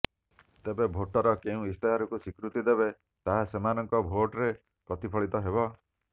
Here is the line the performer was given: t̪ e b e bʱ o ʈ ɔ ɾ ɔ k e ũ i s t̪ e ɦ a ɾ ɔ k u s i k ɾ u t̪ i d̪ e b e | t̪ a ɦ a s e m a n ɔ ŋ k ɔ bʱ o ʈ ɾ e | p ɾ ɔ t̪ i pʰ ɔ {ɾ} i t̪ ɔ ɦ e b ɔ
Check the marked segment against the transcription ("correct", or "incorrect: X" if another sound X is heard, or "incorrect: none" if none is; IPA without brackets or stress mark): incorrect: ɭ